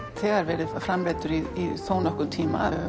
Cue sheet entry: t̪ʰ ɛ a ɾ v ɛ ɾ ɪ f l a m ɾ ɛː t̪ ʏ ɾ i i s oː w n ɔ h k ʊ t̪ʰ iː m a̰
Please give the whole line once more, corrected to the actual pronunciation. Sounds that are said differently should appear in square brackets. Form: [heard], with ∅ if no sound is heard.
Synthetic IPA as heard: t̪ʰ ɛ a ɾ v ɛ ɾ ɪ f [ɾ] a m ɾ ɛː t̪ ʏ ɾ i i s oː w n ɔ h k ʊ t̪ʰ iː m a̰